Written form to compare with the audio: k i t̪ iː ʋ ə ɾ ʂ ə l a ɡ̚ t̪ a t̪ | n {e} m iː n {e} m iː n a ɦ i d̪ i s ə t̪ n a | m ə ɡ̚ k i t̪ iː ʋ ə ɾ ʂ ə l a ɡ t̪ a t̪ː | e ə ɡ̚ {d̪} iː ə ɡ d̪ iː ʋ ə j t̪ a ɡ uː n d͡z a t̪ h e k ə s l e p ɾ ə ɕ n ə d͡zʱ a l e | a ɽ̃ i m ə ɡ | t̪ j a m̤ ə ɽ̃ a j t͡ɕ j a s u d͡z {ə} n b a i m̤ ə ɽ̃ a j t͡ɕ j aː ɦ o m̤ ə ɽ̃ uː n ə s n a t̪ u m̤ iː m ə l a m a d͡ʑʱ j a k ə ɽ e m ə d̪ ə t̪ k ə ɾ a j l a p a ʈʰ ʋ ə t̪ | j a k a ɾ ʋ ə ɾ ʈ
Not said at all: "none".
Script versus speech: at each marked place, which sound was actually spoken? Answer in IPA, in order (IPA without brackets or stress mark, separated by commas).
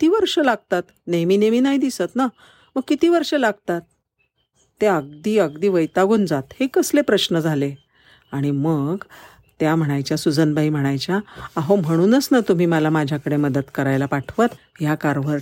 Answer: e, e, d̪, ə